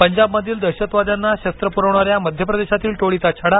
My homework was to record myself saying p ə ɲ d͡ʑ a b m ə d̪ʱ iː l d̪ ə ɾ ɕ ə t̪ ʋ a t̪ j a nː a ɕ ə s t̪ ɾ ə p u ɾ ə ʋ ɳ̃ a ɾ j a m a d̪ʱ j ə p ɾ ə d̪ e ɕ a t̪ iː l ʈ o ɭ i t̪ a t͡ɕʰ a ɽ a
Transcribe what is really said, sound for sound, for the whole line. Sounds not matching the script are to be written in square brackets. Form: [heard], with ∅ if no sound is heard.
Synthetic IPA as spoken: p ə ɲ d͡ʑ a b m ə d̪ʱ iː l d̪ ə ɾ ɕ ə t̪ ʋ a [d̪] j a nː a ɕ ə s t̪ ɾ ə p u ɾ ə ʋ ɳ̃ a ɾ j a m [ə] d̪ʱ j ə p ɾ ə d̪ e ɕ a t̪ iː l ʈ o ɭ i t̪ a t͡ɕʰ a ɽ a